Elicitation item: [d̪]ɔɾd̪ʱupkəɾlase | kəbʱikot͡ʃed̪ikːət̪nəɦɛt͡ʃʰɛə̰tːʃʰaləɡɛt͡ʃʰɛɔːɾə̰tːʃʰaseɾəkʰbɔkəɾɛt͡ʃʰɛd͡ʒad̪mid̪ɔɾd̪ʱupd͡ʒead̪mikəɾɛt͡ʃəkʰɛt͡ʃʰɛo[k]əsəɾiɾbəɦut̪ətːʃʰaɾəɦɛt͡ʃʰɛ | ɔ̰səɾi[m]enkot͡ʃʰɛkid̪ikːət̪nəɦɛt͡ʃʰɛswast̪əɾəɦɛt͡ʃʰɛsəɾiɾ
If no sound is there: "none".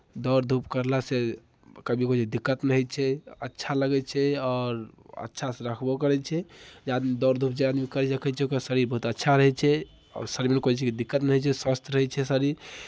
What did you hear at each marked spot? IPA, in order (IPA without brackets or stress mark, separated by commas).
d̪, k, m